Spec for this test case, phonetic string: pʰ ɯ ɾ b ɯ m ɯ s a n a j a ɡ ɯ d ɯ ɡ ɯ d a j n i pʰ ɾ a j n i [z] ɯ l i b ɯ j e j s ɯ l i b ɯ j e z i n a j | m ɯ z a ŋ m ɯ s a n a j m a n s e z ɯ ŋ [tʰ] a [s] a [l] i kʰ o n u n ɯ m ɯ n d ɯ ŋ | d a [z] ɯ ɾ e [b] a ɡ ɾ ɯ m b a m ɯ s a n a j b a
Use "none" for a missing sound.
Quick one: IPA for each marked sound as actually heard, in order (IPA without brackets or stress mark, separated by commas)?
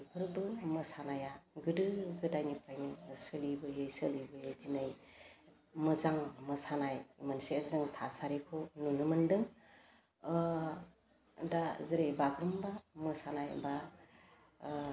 s, tʰ, s, ɾ, z, b